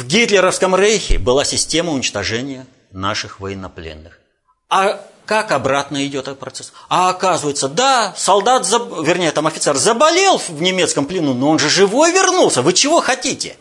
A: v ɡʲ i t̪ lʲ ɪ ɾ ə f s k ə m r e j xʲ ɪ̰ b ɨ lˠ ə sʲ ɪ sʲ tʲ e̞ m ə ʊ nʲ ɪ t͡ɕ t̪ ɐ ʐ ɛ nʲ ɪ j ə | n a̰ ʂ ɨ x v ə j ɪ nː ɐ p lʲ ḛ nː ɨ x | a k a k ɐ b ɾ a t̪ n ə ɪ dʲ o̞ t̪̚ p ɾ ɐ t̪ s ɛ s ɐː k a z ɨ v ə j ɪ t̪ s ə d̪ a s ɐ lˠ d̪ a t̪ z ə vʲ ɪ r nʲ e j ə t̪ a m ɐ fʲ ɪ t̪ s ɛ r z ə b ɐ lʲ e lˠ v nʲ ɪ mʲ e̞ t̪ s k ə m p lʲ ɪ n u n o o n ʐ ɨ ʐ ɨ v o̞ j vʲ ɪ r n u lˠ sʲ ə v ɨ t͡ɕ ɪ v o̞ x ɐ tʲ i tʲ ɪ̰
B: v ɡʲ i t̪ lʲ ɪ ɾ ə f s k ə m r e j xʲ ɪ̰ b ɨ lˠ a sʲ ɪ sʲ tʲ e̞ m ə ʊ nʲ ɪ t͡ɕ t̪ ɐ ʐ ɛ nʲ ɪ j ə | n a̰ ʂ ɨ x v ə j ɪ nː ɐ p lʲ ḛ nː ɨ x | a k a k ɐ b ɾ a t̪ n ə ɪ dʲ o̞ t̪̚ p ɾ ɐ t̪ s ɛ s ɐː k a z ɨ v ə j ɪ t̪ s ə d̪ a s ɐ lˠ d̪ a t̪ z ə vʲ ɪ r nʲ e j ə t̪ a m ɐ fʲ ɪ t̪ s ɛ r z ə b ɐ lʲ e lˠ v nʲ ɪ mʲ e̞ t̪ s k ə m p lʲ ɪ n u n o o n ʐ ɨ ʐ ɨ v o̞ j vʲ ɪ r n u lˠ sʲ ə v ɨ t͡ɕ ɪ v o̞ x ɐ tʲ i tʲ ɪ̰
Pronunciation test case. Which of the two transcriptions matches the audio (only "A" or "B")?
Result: B